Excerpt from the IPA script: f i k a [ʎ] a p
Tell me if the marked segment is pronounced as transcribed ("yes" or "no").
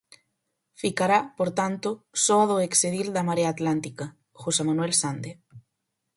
no